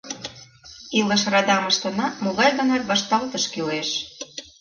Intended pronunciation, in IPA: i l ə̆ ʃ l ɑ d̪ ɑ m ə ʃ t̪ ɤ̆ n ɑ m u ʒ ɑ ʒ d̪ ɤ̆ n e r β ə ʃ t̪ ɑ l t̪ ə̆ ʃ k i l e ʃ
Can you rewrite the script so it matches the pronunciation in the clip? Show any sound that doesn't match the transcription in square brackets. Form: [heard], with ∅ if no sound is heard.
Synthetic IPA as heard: i l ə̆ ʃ [r] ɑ d̪ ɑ m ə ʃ t̪ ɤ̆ n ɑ m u [ɣ] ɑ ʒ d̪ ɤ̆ n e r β [ɑ] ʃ t̪ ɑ l t̪ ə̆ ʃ k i l e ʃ

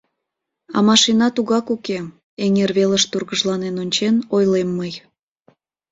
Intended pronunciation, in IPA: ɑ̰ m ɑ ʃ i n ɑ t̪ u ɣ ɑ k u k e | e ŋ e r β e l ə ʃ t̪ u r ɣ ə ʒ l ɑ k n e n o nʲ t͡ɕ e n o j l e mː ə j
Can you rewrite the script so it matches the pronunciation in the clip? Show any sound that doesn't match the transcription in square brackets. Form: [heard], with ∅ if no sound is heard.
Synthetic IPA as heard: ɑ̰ m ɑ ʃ i n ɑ t̪ u ɣ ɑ k u k e | e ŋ e r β e l ə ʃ t̪ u r ɣ ə ʒ l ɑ [∅] n e n o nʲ t͡ɕ e n o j l e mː ə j

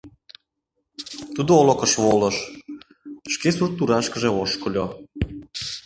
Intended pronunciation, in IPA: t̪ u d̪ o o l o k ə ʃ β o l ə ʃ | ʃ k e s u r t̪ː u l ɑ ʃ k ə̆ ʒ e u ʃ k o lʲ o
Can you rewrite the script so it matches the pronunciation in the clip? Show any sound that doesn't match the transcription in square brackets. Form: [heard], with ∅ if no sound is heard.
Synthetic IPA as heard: t̪ u d̪ o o l o k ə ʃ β o l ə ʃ | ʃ k e s u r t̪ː u [ɾ] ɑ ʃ k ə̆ ʒ e [o] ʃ k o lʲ o

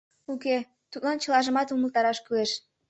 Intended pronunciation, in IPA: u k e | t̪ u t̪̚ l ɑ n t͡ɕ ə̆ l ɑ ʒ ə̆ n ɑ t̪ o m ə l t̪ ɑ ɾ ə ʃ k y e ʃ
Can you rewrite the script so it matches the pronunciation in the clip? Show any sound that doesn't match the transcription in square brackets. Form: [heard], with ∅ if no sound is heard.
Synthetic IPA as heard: u k e | t̪ u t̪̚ l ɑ n t͡ɕ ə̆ l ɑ ʒ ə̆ [m] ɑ t̪ [u] m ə l t̪ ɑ ɾ [ɑ] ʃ k y e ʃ

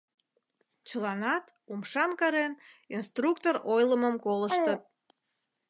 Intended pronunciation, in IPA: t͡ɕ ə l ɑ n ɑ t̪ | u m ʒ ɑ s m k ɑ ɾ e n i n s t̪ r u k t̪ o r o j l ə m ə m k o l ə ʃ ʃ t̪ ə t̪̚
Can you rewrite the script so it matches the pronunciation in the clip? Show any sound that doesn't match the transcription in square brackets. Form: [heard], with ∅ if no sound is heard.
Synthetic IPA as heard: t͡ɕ ə l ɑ n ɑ t̪ | u m [ʃ] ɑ [∅] m k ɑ ɾ e n i n s t̪ r u k t̪ o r o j l ə m ə m k o l ə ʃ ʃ t̪ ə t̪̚

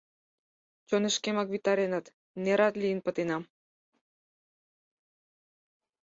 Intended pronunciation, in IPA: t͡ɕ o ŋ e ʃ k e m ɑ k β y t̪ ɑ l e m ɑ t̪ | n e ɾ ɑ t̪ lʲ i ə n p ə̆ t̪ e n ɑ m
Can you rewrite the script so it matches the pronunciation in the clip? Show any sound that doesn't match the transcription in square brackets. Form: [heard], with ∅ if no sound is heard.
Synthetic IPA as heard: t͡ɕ o [n] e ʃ k e m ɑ k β [i] t̪ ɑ [ɾ] e [n] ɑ t̪ | n e ɾ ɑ t̪ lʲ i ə n p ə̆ t̪ e n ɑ m

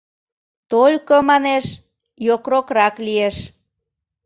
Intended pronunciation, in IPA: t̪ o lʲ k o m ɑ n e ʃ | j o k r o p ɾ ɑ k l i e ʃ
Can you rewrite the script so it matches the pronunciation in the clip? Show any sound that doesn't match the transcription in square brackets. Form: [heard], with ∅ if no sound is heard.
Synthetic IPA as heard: t̪ o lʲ k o m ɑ n e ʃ | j o k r o [k] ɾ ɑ k l i e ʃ

